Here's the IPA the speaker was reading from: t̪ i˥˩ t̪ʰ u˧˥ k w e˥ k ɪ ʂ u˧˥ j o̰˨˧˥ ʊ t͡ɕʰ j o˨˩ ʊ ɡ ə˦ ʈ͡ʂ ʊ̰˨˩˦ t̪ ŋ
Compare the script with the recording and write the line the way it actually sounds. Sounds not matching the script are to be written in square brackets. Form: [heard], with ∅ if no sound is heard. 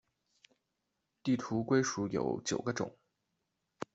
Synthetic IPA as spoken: t̪ i˥˩ t̪ʰ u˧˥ k w e˥ [∅] ɪ ʂ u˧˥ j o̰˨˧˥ ʊ [t͡ɕ] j o˨˩ ʊ ɡ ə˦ ʈ͡ʂ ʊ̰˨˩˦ [∅] ŋ